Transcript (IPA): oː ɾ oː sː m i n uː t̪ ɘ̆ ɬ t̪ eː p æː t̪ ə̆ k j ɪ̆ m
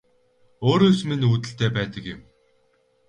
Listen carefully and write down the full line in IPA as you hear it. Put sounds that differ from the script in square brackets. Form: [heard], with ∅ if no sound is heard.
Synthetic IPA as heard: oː ɾ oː [s] m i n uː t̪ ɘ̆ ɬ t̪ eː p æː t̪ ə̆ k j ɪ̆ m